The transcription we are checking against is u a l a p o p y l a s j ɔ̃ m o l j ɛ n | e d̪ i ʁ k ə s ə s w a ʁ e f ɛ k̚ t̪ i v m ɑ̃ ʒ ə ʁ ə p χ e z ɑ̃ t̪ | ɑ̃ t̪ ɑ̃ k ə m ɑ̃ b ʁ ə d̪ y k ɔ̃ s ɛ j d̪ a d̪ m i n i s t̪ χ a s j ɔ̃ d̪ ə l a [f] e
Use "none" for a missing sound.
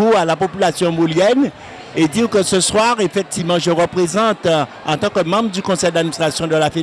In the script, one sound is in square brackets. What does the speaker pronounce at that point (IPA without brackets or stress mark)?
f